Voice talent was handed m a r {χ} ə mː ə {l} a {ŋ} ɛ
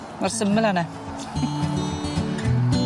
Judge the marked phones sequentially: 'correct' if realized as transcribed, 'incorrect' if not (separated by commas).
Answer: incorrect, correct, incorrect